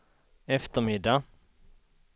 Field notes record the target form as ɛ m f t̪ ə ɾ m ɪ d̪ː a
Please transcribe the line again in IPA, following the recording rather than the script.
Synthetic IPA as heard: ɛ f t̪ ə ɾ m ɪ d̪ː a